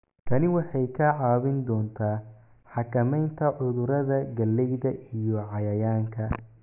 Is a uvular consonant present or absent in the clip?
absent